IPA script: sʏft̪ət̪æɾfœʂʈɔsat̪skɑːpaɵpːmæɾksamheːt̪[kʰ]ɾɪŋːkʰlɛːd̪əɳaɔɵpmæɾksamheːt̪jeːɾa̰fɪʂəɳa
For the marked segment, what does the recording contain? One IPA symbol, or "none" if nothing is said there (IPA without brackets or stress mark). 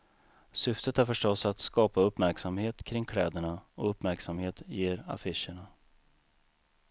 kʰ